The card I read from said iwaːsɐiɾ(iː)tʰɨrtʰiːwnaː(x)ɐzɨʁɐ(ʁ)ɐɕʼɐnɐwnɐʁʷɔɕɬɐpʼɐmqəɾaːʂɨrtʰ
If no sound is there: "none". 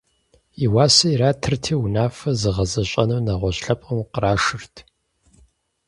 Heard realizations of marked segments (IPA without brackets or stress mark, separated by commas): aː, f, z